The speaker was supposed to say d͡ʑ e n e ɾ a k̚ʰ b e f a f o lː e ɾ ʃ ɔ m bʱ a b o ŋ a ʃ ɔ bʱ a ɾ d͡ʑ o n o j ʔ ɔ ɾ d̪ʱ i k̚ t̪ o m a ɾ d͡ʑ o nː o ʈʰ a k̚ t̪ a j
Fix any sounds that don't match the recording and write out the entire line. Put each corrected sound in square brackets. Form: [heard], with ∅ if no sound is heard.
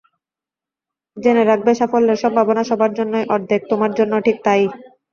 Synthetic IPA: d͡ʑ e n e ɾ a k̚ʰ b e [ʃ] a f o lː e ɾ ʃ ɔ m bʱ a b o [n] a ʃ ɔ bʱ a ɾ d͡ʑ o [nː] o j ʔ ɔ ɾ d̪ʱ [e] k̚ t̪ o m a ɾ d͡ʑ o nː o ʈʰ [i] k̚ t̪ a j